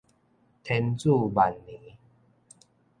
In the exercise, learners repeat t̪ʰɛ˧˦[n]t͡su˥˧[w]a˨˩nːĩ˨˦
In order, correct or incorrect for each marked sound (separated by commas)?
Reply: correct, incorrect